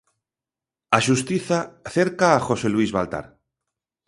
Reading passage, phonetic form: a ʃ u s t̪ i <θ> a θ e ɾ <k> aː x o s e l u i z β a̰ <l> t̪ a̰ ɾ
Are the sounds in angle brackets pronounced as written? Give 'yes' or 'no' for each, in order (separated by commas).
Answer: yes, yes, yes